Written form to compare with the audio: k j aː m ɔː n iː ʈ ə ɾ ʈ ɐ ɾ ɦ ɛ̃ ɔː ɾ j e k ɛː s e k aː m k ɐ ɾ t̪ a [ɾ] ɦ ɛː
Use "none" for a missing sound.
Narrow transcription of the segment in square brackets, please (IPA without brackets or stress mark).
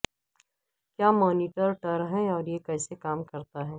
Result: none